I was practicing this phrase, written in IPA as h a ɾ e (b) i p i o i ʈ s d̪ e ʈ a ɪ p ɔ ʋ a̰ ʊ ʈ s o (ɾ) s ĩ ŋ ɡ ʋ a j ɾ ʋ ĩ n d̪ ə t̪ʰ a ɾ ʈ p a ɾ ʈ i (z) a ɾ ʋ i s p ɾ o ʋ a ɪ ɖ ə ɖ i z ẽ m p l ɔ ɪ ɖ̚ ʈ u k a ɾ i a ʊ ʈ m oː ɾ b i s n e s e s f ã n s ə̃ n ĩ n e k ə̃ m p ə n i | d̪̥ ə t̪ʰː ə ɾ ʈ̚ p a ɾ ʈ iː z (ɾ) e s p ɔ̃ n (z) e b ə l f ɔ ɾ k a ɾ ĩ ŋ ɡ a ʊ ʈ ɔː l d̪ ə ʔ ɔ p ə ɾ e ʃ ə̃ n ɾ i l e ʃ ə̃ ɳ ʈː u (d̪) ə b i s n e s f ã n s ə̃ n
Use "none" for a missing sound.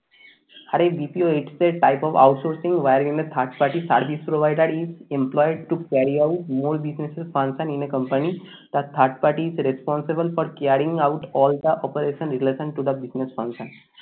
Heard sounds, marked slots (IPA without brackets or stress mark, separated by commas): b, ɾ, s, ɾ, s, d̪